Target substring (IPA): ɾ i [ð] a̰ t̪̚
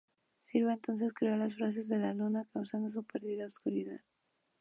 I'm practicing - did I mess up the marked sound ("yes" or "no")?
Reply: no